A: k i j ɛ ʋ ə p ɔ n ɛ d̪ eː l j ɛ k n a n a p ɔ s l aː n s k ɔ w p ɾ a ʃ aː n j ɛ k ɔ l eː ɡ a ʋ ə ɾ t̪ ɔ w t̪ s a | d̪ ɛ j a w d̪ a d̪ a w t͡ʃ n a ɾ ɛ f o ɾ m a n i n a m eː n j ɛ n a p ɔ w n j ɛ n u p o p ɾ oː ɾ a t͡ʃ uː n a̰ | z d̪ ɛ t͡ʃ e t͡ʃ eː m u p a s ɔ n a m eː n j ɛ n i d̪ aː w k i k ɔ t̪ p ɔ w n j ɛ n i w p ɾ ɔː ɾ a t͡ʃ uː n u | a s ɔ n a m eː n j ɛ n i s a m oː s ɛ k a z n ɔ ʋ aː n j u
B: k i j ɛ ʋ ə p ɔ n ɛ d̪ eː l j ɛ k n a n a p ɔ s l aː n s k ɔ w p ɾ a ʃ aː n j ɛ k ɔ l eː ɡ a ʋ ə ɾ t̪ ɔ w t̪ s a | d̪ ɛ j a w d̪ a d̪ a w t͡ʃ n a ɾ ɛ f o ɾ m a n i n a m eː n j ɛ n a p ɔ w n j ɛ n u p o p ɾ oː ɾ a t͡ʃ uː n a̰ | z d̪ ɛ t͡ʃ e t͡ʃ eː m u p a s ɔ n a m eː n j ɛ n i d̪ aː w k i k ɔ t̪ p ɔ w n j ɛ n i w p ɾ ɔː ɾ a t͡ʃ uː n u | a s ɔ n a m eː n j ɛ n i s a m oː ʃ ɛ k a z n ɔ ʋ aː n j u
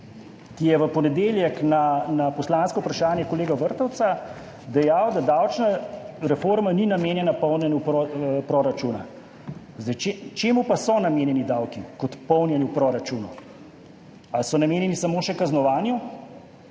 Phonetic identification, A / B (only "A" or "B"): B